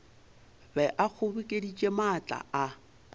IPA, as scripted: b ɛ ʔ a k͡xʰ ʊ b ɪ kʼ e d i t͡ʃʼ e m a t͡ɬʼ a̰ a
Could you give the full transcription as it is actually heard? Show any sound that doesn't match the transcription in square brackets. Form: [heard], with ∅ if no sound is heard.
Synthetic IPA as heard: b ɛ ʔ a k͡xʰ ʊ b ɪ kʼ e d i t͡ʃʼ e m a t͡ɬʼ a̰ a